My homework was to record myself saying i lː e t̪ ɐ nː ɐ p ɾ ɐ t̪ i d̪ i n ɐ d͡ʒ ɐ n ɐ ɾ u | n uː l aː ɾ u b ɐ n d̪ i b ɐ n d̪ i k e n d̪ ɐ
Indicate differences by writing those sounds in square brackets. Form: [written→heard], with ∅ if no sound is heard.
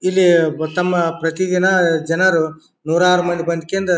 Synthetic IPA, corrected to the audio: i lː [e→i] t̪ ɐ [nː→mː] ɐ p ɾ ɐ t̪ i d̪ i n ɐ d͡ʒ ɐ n ɐ ɾ u | n uː [l→ɾ] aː ɾ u [b→m] ɐ n d̪ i b ɐ n d̪ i k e n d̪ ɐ